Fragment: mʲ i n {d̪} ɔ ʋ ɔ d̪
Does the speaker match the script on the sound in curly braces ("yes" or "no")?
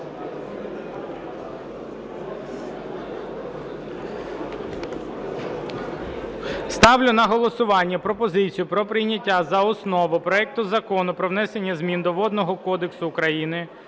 yes